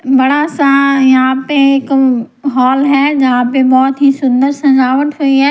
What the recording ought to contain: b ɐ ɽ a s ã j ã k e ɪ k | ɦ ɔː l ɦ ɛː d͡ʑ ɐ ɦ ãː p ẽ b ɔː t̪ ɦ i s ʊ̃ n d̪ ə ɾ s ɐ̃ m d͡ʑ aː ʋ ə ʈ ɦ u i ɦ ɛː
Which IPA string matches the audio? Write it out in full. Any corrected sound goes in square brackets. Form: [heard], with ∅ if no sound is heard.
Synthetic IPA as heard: b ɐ ɽ a s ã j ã [p] e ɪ k | ɦ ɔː l ɦ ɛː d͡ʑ ɐ ɦ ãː p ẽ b ɔː t̪ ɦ i s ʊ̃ n d̪ ə ɾ s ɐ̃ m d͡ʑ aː ʋ ə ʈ ɦ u i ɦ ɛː